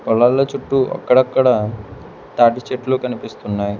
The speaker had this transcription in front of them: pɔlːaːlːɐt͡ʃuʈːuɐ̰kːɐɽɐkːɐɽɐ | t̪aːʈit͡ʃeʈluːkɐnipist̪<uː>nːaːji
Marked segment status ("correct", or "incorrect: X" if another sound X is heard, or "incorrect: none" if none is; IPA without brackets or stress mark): incorrect: u